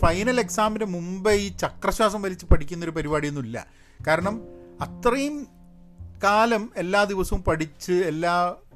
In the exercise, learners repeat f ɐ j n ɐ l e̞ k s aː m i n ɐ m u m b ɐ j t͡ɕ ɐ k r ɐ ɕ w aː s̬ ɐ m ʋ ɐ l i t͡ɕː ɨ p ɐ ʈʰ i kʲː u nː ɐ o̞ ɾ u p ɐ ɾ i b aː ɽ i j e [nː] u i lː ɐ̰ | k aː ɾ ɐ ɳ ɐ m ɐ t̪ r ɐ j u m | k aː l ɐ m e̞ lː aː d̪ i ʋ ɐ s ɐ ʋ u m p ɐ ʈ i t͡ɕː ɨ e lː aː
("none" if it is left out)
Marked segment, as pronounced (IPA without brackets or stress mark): nː